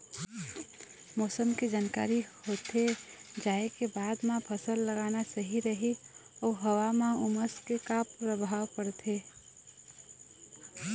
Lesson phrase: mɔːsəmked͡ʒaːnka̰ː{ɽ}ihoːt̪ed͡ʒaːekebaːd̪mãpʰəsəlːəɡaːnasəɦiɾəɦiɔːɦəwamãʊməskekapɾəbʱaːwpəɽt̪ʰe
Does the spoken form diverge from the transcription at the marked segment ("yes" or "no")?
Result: yes